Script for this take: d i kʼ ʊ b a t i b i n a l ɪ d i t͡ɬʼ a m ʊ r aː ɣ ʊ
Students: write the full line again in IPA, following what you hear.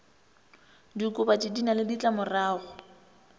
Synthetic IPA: d i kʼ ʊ b a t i d i n a l ɪ d i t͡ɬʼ a m ʊ r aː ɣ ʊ